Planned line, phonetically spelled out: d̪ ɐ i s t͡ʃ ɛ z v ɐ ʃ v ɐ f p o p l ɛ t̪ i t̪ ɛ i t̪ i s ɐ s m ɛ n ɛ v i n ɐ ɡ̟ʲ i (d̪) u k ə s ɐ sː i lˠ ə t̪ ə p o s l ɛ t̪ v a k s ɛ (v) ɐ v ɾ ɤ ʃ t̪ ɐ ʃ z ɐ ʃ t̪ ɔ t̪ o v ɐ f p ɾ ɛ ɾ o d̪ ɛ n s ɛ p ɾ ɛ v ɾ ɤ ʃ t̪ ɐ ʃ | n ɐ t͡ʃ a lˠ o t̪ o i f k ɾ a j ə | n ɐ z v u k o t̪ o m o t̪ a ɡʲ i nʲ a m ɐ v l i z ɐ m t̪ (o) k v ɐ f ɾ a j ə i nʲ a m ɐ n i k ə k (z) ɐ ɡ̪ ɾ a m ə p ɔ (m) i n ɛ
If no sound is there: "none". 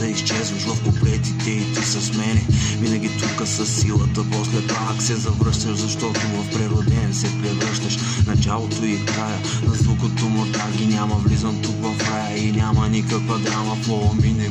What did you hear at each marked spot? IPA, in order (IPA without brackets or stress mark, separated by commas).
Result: t̪, z, u, v, m